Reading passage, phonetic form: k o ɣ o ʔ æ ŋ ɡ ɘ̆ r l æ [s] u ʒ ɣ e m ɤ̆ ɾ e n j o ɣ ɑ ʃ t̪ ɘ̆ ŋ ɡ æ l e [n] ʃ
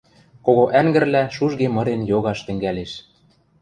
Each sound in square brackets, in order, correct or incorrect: incorrect, incorrect

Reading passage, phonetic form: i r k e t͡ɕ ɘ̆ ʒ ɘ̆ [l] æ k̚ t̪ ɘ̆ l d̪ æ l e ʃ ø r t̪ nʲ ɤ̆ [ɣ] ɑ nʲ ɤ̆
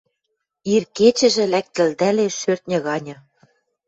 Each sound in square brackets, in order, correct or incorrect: correct, correct

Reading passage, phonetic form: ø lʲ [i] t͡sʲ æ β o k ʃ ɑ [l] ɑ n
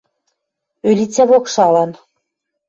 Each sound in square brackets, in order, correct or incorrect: correct, correct

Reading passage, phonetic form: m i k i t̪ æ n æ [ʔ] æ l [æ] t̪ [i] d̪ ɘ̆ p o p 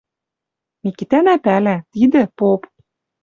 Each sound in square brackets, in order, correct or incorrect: incorrect, correct, correct

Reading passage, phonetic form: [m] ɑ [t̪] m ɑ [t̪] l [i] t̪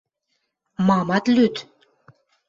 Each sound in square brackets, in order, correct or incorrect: correct, incorrect, correct, incorrect

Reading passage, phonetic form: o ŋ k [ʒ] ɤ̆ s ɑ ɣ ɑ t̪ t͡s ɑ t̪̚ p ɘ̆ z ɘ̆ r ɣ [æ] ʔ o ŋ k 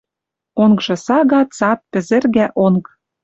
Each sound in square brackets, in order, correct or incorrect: correct, correct

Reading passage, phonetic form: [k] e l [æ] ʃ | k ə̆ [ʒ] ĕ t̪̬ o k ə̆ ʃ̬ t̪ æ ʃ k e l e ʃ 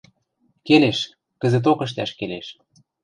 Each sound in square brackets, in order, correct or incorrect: correct, incorrect, incorrect

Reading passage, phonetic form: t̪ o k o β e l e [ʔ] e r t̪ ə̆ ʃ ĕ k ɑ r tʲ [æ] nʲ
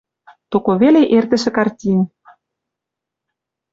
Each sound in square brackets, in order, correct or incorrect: correct, incorrect

